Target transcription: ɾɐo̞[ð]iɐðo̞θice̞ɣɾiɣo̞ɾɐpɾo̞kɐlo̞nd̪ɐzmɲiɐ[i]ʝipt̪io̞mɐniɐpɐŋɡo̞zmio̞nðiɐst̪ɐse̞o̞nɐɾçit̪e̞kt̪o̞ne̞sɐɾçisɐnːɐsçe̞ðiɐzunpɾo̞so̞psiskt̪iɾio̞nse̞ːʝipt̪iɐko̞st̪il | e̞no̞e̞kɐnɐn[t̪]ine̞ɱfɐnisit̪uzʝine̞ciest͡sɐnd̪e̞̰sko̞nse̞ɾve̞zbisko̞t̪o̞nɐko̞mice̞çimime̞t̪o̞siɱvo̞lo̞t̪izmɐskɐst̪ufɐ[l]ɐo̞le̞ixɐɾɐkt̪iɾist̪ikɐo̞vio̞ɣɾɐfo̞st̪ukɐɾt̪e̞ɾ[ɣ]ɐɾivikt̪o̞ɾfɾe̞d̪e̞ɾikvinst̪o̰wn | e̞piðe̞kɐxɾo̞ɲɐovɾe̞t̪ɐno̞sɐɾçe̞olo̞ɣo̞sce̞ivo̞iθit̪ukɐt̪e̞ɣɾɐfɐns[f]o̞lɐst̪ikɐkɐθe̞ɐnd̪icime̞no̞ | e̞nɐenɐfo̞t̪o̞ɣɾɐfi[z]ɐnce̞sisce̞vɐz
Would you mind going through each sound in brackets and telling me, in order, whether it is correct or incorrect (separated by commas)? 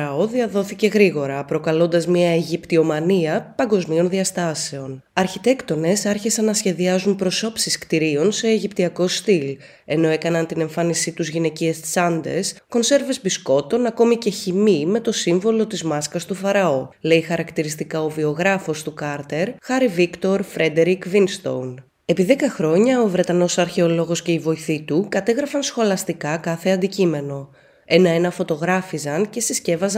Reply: correct, incorrect, correct, incorrect, incorrect, incorrect, correct